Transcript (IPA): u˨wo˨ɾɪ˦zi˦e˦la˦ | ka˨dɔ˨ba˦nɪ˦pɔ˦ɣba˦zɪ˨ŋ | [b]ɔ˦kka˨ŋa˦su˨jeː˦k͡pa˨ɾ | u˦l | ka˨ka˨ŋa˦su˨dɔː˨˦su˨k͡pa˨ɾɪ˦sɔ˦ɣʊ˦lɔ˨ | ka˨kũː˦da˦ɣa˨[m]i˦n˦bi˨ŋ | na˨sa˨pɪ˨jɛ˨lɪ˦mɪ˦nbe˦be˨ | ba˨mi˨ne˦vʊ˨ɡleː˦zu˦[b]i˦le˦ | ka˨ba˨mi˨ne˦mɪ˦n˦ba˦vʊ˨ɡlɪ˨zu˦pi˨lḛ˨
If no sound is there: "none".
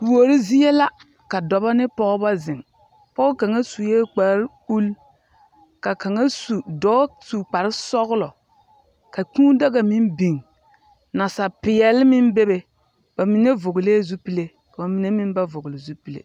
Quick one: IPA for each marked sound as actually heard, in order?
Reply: p, m, p

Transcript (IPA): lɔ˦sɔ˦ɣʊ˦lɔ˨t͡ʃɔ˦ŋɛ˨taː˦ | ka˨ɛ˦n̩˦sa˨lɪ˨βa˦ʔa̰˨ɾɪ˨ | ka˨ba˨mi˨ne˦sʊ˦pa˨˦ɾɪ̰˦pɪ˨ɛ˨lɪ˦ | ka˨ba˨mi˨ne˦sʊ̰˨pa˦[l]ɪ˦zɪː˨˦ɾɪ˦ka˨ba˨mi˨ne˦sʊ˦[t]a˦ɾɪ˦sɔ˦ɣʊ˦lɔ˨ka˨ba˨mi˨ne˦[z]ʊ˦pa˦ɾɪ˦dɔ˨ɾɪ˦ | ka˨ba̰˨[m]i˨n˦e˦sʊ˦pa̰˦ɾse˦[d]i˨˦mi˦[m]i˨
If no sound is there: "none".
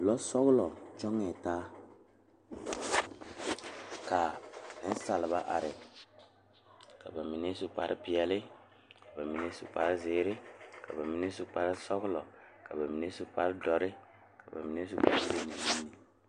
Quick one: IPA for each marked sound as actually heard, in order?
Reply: ɾ, p, s, m, n, n

